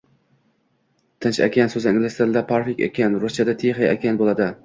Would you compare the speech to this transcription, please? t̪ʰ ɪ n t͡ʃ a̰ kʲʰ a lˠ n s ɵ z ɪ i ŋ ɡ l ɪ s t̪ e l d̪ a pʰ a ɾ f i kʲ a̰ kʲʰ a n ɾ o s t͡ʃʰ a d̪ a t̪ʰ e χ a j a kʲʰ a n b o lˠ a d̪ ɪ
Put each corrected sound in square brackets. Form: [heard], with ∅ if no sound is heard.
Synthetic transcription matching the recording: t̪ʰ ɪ n t͡ʃ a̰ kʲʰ a [∅] n s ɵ z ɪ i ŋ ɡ l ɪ s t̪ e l d̪ a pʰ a ɾ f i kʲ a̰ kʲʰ a n ɾ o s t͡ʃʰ a d̪ a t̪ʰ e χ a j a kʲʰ a n b o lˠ a d̪ ɪ